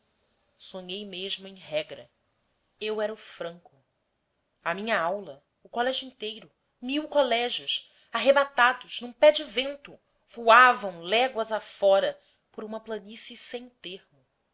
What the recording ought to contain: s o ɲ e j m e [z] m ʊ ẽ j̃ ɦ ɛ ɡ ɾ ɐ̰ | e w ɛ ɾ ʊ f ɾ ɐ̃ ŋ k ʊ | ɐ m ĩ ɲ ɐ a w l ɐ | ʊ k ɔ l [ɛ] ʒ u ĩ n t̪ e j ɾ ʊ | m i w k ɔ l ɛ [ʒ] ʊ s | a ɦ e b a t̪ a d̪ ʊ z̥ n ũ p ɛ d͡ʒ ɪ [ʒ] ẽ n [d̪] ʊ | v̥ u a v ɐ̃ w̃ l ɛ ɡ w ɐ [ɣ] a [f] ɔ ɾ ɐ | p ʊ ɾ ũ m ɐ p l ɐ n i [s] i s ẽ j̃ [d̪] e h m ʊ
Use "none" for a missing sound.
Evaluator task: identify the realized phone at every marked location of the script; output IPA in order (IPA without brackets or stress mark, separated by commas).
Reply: ʒ, ɛ, ʒ, v, t̪, z, f, s, t̪